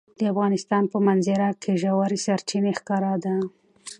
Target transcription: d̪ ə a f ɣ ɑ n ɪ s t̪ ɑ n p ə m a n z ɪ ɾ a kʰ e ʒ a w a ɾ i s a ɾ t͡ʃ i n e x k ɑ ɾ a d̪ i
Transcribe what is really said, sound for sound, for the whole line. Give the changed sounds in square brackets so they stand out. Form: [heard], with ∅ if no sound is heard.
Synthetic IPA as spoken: d̪ ə a f ɣ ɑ n ɪ s t̪ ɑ n p ə m a n z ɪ ɾ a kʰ e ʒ a w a ɾ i s a ɾ t͡ʃ i n e x k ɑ ɾ a d̪ [a]